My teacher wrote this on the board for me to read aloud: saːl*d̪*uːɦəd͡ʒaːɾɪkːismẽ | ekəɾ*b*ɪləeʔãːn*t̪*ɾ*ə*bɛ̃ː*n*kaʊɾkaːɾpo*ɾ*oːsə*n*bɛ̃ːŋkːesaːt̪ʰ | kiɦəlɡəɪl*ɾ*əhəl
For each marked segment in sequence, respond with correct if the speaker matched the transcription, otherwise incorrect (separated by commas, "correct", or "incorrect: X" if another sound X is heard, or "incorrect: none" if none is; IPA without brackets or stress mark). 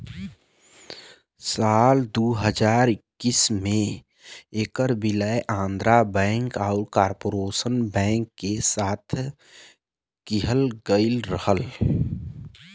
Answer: correct, correct, incorrect: d̪, incorrect: a, incorrect: ŋ, correct, correct, correct